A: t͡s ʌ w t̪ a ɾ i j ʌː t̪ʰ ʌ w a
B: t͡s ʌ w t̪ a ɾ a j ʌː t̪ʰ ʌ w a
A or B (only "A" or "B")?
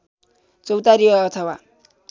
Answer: A